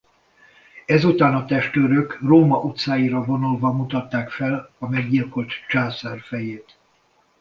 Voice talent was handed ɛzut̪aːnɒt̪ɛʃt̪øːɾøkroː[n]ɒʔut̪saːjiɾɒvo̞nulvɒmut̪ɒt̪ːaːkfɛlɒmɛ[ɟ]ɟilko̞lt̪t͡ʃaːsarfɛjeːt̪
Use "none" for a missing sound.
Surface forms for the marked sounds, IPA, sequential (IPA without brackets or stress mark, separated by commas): m, ɡ